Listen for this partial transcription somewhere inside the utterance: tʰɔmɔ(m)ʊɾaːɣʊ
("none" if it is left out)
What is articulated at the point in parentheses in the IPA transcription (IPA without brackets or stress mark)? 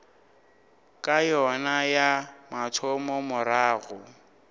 m